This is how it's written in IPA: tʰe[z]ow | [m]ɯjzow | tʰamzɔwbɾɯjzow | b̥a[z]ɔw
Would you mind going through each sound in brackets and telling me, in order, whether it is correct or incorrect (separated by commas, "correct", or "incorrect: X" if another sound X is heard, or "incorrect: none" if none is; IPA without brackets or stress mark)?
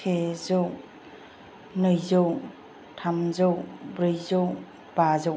correct, incorrect: n, correct